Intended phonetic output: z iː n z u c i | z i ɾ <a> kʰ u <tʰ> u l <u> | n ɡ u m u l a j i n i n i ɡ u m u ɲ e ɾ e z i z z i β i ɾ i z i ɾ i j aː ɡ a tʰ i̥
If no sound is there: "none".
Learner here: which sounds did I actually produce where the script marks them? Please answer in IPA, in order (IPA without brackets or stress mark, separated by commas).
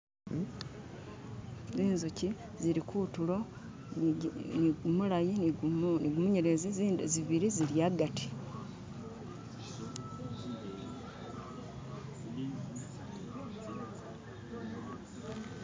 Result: i, t, o